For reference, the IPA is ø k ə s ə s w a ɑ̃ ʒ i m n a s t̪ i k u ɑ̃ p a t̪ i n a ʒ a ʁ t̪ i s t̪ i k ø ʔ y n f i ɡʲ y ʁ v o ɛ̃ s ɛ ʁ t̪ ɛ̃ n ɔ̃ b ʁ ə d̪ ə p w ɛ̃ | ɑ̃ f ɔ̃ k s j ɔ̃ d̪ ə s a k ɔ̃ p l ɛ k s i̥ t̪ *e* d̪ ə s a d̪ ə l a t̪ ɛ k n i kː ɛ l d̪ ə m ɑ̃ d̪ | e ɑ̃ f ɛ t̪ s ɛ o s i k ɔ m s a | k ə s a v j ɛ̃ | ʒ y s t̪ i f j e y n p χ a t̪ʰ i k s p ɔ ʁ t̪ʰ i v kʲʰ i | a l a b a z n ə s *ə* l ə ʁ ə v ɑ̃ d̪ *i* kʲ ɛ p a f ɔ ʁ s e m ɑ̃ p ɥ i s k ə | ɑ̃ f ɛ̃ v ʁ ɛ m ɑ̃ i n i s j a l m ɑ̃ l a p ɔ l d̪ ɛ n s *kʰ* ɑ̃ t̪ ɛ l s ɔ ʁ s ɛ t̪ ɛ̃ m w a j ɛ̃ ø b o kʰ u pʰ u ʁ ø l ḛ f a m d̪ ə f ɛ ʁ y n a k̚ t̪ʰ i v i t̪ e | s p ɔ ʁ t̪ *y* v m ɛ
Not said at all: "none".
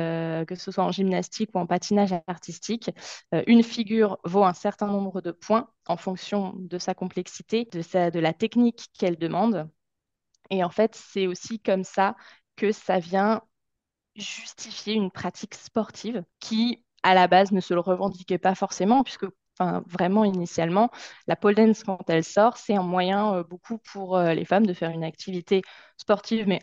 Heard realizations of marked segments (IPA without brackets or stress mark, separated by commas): e, ə, i, k, i